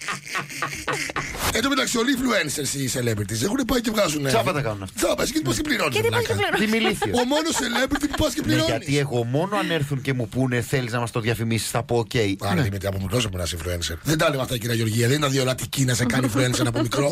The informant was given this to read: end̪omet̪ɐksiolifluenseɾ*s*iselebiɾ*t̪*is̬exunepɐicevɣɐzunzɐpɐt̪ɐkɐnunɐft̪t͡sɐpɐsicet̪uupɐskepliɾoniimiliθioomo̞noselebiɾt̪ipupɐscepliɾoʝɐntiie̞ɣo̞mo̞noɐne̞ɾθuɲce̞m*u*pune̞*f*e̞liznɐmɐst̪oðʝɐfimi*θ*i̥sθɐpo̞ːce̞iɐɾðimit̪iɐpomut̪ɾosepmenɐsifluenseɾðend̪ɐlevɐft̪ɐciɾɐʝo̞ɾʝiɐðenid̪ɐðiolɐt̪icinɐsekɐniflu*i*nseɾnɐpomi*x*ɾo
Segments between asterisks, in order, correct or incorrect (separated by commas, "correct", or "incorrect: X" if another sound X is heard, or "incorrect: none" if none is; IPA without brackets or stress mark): correct, correct, correct, incorrect: θ, incorrect: s, incorrect: e, incorrect: k